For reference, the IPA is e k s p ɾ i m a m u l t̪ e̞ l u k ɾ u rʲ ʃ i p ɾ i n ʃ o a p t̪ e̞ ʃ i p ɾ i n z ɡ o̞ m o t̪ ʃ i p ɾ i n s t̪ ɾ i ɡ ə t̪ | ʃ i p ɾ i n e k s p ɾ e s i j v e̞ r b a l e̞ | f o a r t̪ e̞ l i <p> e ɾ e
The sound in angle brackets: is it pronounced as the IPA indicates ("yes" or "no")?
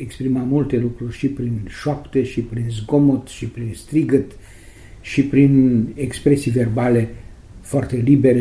no